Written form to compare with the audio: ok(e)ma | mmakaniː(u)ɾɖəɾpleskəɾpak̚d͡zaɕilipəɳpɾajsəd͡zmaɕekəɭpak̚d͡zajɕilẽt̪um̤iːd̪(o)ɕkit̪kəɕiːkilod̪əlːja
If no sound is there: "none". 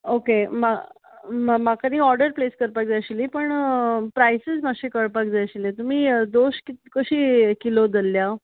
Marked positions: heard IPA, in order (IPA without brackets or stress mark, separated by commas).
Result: e, ɔ, o